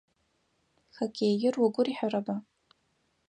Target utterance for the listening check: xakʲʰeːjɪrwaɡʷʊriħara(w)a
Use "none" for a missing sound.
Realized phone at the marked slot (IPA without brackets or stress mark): b